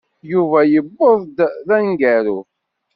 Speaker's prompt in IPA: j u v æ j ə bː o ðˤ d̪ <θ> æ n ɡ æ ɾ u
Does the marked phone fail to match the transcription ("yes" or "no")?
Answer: yes